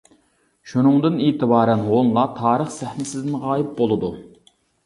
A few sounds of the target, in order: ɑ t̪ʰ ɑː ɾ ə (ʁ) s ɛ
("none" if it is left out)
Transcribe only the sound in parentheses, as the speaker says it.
χ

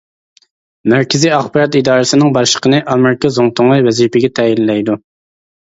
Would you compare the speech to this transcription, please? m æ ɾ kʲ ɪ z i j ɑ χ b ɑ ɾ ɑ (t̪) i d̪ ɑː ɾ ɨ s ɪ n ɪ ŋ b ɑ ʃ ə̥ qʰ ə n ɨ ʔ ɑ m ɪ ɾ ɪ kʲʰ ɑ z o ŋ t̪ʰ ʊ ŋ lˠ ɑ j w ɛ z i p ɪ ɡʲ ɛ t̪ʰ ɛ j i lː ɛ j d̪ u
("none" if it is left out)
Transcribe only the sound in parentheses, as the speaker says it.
t̪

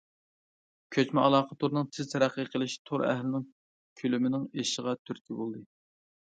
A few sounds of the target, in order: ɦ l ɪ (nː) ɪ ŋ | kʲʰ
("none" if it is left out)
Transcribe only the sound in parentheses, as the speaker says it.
n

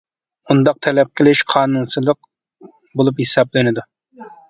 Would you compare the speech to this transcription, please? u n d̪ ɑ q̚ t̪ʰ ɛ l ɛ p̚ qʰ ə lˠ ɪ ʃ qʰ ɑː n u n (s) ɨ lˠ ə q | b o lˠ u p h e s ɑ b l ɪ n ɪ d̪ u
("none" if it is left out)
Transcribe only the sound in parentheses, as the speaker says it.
s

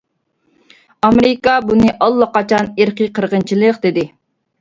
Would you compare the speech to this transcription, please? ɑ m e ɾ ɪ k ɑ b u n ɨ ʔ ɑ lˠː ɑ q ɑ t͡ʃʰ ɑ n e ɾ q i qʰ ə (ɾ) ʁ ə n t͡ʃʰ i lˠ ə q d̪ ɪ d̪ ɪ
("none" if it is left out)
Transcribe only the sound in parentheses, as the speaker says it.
ɾ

